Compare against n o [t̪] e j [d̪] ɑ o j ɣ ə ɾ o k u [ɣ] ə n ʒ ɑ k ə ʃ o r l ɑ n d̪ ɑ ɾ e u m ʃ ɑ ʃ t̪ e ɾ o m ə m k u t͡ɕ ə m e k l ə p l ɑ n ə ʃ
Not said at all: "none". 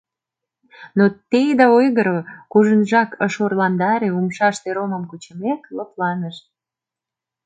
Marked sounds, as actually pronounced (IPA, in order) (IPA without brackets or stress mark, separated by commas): t̪, d̪, ʒ